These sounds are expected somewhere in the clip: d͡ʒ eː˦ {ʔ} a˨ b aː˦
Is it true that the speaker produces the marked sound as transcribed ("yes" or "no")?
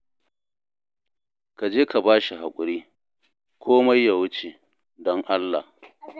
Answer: no